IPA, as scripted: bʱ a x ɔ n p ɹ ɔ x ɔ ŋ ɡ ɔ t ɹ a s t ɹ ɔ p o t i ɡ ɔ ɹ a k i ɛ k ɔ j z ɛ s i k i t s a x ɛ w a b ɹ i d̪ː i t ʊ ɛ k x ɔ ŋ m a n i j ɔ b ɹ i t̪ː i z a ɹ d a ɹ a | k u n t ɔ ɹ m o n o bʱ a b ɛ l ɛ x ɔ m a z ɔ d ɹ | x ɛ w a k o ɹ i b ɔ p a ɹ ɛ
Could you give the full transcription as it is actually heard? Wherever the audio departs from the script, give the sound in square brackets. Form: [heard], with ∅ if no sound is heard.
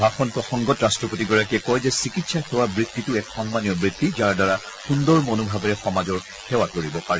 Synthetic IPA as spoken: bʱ a x ɔ n p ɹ ɔ x ɔ ŋ ɡ ɔ t ɹ a s t ɹ ɔ p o t i ɡ ɔ ɹ a k i ɛ k ɔ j z ɛ s i k i t s a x ɛ w a b ɹ i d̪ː i t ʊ ɛ k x ɔ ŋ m a n i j ɔ b ɹ i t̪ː i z a ɹ d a ɹ a | [x] u n [d] ɔ ɹ m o n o bʱ a b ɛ [ɹ] ɛ x ɔ m a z ɔ [∅] ɹ | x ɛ w a k o ɹ i b ɔ p a ɹ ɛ